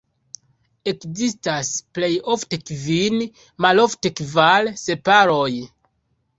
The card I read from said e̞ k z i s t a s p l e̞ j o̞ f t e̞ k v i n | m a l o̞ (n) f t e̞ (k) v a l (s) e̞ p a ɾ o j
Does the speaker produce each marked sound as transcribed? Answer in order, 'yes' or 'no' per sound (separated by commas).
no, yes, yes